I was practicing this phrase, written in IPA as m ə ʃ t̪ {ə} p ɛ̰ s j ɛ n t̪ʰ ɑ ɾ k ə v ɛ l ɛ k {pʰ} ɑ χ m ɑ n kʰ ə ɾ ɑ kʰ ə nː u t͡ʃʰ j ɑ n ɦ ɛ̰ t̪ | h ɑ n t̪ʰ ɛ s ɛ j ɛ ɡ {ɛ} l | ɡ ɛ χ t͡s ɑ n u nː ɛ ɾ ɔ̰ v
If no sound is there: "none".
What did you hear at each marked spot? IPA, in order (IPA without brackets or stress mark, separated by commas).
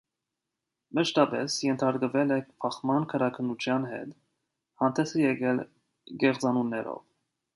ɑ, pʰ, ɛ